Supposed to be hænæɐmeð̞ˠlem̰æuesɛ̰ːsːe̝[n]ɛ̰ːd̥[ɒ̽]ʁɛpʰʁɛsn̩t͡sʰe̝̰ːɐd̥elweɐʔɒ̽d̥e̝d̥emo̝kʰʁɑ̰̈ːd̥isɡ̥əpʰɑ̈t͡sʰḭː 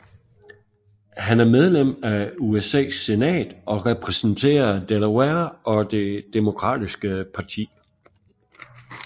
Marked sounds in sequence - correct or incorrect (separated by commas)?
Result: correct, correct